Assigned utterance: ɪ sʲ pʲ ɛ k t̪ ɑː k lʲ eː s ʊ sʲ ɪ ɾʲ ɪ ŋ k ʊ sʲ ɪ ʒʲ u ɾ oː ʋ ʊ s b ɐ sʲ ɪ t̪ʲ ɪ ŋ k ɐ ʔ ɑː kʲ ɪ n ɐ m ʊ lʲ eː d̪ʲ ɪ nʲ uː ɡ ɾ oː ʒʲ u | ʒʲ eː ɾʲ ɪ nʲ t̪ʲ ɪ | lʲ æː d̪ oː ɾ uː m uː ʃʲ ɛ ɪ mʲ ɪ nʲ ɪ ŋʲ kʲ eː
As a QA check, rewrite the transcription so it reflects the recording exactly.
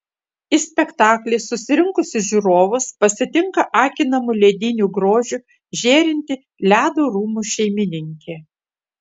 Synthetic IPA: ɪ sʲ pʲ ɛ k t̪ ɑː k lʲ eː s ʊ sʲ ɪ ɾʲ ɪ ŋ k ʊ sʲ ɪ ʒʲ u ɾ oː ʋ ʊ s p ɐ sʲ ɪ t̪ʲ ɪ ŋ k ɐ ʔ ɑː kʲ ɪ n ɐ m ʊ lʲ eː d̪ʲ ɪ nʲ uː ɡ ɾ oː ʒʲ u | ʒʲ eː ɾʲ ɪ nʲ t̪ʲ ɪ | lʲ æː d̪ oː ɾ uː m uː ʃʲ ɛ ɪ mʲ ɪ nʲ ɪ ŋʲ kʲ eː